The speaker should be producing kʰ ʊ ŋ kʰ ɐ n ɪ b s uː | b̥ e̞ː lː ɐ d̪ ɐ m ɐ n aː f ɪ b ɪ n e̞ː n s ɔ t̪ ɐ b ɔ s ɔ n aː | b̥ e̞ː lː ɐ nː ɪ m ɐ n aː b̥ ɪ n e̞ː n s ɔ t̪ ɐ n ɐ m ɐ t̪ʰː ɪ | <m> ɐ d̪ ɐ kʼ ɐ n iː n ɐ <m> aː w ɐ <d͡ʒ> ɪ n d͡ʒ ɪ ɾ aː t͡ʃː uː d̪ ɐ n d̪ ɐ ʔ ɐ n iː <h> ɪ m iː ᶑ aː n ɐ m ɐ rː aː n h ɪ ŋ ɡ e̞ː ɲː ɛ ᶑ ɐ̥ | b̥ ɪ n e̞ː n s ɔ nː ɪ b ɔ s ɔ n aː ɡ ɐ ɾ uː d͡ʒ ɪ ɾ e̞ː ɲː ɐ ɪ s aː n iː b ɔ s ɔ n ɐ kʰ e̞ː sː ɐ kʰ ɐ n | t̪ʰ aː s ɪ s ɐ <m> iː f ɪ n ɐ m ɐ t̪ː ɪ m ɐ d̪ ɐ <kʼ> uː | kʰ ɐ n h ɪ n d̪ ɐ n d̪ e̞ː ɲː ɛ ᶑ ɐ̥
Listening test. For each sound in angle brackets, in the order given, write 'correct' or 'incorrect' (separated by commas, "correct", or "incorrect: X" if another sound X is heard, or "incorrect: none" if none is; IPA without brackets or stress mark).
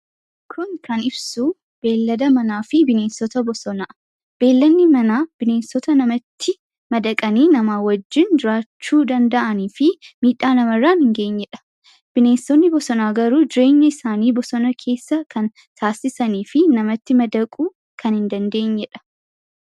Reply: correct, correct, incorrect: d͡ʒː, incorrect: f, incorrect: n, correct